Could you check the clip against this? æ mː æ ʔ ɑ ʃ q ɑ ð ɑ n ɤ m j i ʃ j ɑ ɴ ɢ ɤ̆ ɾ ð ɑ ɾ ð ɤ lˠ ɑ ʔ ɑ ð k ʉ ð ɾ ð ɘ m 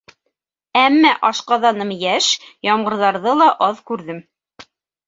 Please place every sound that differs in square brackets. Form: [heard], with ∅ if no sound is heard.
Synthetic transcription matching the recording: æ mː æ ʔ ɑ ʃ q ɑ ð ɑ n ɤ m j [æ] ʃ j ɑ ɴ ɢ ɤ̆ ɾ ð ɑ ɾ ð ɤ lˠ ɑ ʔ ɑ ð k ʉ [∅] ɾ ð ɘ m